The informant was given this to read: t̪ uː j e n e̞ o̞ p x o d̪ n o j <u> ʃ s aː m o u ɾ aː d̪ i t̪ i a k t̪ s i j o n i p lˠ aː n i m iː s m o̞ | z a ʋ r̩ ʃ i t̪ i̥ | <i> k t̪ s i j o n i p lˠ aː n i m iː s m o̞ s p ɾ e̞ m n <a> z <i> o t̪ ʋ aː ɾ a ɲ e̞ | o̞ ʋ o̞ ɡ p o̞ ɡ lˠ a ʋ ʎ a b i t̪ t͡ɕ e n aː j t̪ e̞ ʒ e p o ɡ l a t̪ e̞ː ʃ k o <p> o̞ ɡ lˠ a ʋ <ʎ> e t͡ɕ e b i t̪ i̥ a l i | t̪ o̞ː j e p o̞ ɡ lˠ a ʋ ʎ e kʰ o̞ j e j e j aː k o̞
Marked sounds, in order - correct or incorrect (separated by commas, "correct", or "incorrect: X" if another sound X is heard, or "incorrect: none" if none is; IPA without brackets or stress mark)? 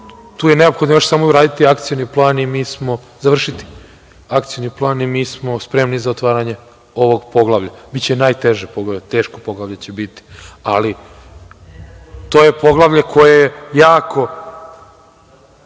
incorrect: o, incorrect: a, incorrect: i, incorrect: a, correct, correct